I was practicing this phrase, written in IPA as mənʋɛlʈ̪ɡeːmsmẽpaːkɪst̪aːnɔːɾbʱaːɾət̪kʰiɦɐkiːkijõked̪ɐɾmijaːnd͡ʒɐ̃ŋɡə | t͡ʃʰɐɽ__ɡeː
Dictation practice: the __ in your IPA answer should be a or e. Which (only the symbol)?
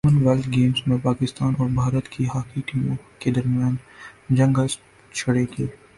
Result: e